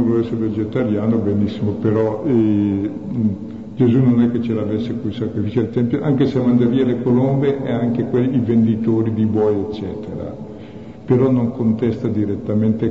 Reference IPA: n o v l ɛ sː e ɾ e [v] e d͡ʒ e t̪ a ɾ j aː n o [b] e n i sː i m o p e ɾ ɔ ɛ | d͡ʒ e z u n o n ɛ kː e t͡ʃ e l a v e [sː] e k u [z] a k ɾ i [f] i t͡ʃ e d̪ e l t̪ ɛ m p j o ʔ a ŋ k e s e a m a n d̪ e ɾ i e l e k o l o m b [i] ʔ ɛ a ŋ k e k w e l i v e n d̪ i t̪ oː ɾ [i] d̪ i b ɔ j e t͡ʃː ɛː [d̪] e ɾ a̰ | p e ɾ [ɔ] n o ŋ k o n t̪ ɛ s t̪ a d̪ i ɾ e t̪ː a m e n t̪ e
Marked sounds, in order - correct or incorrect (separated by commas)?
correct, correct, correct, incorrect, correct, incorrect, correct, incorrect, correct